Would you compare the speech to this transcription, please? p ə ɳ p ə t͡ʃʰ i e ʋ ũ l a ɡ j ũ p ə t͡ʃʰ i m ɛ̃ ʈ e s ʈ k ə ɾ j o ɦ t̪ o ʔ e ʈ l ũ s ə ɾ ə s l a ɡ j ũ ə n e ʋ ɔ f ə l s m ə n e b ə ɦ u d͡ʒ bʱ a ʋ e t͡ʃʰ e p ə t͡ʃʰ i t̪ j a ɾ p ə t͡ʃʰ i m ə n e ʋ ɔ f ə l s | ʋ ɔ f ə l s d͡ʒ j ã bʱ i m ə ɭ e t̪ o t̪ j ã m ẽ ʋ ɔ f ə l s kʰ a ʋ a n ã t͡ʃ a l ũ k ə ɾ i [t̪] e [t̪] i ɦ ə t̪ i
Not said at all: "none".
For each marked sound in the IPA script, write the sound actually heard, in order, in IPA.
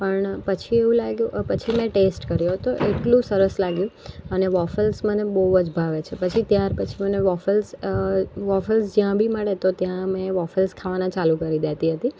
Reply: d̪, t̪

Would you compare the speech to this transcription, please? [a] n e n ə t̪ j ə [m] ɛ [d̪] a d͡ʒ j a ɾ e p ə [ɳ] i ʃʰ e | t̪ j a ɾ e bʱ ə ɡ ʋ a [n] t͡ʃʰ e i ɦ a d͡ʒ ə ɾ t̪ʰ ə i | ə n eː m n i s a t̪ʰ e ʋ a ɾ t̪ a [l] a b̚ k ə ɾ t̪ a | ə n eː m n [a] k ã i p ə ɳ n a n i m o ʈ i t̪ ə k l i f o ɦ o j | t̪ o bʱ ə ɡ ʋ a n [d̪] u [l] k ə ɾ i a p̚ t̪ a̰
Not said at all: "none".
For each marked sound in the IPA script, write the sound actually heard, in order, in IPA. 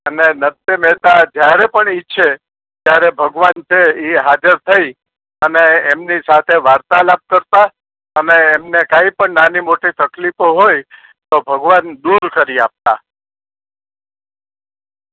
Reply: ə, m, t̪, ɳ, n, l, e, d̪, ɾ

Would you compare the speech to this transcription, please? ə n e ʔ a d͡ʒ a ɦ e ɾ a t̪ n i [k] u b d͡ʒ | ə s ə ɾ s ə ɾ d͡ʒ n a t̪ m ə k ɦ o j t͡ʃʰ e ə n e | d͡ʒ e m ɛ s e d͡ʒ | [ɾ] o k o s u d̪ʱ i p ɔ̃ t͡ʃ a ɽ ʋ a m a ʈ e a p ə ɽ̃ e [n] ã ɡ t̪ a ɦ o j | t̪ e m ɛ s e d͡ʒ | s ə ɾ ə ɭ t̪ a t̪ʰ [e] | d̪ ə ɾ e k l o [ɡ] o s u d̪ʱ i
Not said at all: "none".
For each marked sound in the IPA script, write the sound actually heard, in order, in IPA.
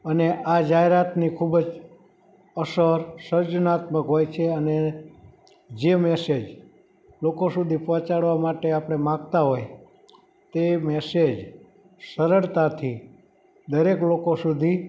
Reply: kʰ, l, m, i, k

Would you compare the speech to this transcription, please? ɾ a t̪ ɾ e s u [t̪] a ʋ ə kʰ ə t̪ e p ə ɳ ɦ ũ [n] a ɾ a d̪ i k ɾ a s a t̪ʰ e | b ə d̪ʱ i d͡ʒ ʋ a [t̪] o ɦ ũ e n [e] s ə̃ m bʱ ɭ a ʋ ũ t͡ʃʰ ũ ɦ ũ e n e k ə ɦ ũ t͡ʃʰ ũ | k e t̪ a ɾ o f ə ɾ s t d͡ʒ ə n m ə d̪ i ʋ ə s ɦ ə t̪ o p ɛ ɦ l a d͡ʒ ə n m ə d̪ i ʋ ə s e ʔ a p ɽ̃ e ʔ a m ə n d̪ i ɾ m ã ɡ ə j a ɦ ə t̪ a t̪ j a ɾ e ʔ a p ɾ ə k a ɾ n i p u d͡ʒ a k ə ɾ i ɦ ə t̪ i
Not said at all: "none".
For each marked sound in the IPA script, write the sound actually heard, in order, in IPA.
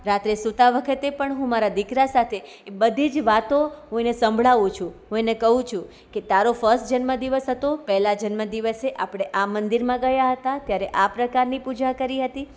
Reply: t̪, m, t̪, e

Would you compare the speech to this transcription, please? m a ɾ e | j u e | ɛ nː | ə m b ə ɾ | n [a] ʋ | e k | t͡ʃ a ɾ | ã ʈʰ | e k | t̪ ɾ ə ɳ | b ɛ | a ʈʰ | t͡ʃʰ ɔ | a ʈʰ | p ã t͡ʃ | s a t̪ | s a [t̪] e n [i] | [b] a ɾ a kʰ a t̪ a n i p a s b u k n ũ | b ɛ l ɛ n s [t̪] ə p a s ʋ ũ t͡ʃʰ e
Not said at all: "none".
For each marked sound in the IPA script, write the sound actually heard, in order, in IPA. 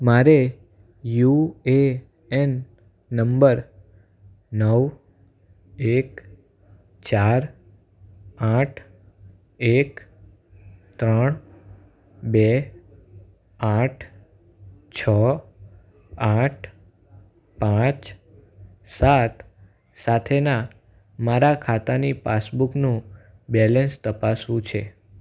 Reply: ə, t̪ʰ, a, m, t̪

